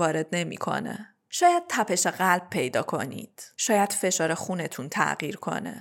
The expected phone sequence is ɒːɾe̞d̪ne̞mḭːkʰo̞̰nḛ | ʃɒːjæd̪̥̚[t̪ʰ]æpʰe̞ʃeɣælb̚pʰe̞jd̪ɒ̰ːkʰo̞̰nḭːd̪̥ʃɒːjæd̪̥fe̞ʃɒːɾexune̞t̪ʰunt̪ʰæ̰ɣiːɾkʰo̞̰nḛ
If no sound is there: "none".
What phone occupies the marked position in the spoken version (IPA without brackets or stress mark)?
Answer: t̪ʰ